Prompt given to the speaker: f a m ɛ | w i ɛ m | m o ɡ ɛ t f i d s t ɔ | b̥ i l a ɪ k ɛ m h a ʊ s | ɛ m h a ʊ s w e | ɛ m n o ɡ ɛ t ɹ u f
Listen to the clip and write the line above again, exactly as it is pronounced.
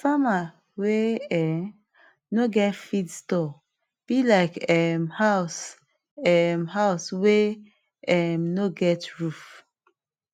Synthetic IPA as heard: s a m a | w e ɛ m | n o ɡ ɛ t f i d s t ɔ | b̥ i l a ɪ k ɛ m h a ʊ s | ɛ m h a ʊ s w e | ɛ m n o ɡ ɛ t ɹ u f